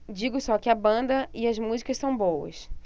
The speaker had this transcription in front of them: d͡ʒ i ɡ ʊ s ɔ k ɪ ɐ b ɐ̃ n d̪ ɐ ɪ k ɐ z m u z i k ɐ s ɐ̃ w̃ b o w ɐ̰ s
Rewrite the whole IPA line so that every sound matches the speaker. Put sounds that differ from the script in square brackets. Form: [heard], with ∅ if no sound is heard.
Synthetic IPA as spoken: d͡ʒ i ɡ ʊ s ɔ k ɪ ɐ b ɐ̃ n d̪ ɐ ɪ [∅] ɐ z m u z i k ɐ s ɐ̃ w̃ b o w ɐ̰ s